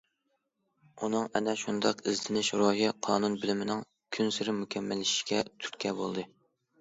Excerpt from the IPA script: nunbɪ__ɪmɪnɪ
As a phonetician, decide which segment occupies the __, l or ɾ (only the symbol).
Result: l